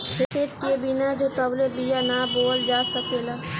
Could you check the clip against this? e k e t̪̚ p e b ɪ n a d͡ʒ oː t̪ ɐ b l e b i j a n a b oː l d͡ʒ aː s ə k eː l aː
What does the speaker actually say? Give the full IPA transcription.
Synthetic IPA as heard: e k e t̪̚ k e b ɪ n a d͡ʒ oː t̪ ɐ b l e b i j a n a b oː l d͡ʒ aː s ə k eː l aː